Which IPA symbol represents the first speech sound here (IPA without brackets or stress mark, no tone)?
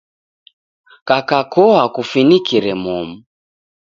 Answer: k